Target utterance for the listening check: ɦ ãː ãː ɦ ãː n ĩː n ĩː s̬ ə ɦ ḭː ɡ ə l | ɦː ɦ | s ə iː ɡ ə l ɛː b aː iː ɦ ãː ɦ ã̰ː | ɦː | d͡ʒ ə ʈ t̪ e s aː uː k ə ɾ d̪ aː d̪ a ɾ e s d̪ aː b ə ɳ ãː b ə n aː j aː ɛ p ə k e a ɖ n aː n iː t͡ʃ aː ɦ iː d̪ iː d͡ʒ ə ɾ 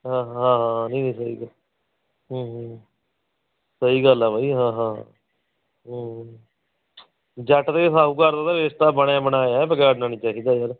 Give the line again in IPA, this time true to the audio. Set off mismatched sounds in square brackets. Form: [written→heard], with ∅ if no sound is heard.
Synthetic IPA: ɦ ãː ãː ɦ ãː n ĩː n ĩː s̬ ə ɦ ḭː ɡ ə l | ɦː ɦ | s ə iː ɡ ə l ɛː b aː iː ɦ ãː ɦ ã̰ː | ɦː | d͡ʒ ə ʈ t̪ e s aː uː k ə ɾ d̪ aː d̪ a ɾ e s [d̪→t̪] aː b ə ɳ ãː b ə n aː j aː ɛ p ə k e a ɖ n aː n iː t͡ʃ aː ɦ iː d̪ [iː→aː] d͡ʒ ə ɾ